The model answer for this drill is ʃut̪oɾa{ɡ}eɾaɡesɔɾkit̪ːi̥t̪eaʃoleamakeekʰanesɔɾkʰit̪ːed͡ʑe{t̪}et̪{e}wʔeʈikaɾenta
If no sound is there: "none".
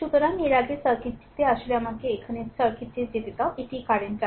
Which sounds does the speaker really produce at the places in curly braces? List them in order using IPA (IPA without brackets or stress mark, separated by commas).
ŋ, t̪, a